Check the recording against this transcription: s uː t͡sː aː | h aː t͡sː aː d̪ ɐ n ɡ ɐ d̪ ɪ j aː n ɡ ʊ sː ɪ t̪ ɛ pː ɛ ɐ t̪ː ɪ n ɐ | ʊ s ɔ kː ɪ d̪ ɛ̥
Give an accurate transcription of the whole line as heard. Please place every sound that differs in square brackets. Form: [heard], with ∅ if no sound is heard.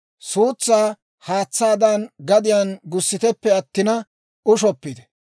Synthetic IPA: s uː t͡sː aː | h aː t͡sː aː d̪ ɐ n ɡ ɐ d̪ ɪ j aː n ɡ ʊ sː ɪ t̪ ɛ pː ɛ ɐ t̪ː ɪ n ɐ | ʊ [ʃ] ɔ [pː] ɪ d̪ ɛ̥